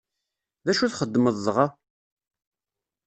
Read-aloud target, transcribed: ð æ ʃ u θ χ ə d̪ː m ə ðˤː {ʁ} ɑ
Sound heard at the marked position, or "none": ʁ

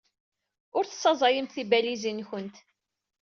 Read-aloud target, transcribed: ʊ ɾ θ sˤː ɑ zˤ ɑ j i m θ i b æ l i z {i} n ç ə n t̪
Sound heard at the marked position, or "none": i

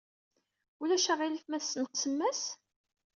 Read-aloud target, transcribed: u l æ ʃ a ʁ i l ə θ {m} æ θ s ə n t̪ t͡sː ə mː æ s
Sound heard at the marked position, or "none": m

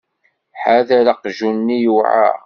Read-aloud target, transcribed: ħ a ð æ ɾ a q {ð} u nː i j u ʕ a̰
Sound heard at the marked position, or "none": ʒ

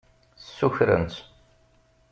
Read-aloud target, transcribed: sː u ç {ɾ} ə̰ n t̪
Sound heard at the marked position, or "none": ɾ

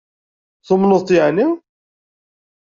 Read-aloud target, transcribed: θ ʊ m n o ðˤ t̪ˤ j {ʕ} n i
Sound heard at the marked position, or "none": ʕ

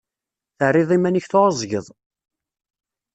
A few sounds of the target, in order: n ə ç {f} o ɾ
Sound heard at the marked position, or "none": θ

